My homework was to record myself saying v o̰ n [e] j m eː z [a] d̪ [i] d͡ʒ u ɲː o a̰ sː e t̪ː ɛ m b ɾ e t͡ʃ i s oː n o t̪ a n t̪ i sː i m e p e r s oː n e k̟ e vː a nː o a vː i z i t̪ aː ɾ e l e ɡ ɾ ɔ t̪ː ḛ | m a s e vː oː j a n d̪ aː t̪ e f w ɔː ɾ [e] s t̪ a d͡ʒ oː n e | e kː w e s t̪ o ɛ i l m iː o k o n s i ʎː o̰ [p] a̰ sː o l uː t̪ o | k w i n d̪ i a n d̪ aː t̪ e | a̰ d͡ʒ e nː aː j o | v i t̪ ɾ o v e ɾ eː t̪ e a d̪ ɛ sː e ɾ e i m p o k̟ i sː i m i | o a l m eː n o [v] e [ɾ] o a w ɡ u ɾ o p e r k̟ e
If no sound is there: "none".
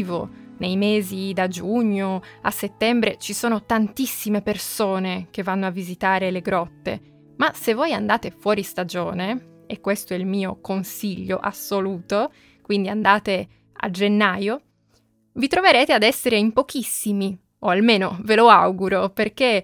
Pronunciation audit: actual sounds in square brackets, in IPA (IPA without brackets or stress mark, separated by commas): e, i, a, i, ʔ, v, l